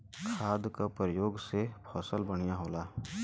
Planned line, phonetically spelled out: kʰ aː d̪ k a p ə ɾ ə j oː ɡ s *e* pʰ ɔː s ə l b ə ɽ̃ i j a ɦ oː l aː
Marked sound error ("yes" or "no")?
no